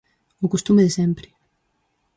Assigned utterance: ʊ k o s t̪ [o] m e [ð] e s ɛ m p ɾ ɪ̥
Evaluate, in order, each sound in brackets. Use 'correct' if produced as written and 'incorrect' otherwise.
incorrect, correct

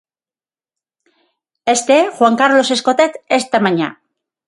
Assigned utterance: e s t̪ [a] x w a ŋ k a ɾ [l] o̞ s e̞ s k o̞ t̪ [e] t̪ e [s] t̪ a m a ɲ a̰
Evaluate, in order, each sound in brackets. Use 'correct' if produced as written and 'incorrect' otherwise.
incorrect, correct, correct, correct

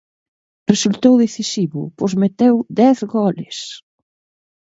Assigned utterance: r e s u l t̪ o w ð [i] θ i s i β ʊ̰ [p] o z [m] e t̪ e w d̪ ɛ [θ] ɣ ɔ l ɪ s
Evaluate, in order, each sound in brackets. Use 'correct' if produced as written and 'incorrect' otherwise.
incorrect, correct, correct, correct

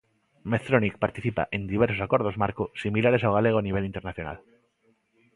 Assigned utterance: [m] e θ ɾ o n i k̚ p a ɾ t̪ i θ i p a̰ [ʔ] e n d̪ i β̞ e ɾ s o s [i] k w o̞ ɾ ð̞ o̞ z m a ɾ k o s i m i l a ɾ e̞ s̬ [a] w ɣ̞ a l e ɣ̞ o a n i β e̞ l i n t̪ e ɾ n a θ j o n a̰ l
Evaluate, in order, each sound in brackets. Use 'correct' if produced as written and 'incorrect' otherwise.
correct, correct, incorrect, correct

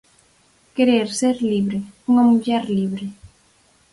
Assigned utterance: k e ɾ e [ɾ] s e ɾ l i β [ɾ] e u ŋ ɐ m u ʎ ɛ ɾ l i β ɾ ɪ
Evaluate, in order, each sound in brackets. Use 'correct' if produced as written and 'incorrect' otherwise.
correct, correct

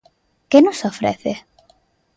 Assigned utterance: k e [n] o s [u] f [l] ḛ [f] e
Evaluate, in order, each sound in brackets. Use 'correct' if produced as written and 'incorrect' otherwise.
correct, incorrect, incorrect, incorrect

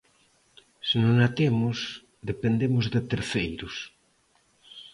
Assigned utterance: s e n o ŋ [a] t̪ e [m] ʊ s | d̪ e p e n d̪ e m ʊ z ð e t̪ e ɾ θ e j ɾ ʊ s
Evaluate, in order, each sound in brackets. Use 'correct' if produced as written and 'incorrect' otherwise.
correct, correct

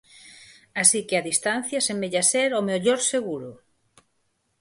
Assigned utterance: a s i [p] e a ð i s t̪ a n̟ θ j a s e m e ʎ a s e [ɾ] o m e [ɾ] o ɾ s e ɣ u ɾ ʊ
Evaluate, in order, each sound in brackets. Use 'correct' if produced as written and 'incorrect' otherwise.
incorrect, correct, incorrect

